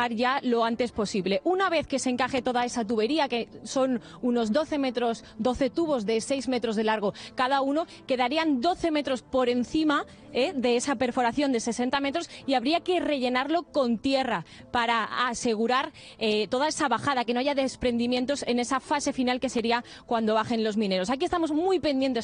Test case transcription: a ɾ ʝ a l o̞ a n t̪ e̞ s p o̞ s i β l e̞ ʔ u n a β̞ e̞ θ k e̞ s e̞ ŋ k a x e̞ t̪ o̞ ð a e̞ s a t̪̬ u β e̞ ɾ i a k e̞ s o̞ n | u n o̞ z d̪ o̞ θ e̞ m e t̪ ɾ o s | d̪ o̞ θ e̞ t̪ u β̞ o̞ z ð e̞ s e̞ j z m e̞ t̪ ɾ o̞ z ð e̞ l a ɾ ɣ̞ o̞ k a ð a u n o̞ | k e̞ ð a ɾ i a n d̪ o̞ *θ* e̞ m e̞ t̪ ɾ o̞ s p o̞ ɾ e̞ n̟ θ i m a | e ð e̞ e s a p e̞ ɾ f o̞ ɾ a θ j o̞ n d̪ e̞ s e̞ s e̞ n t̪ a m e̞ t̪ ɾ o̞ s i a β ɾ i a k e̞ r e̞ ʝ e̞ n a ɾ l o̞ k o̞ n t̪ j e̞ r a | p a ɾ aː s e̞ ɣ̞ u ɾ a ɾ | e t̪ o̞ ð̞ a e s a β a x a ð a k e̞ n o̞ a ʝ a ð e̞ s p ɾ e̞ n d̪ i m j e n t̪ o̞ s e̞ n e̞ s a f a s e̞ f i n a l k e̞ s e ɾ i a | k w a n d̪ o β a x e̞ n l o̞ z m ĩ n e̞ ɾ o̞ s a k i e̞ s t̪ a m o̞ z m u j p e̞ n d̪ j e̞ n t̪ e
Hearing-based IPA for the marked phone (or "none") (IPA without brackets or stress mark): θ